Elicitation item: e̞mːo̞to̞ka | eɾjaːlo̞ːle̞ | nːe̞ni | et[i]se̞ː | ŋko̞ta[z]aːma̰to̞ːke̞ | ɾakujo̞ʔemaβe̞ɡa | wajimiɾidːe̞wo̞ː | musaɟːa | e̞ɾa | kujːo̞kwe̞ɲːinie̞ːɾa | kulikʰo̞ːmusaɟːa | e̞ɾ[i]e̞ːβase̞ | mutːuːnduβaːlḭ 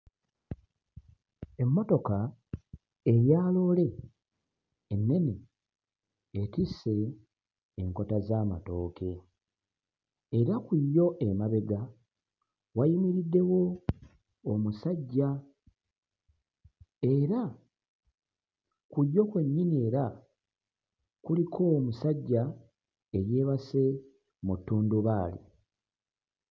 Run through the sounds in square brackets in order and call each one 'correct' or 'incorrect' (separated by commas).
correct, correct, incorrect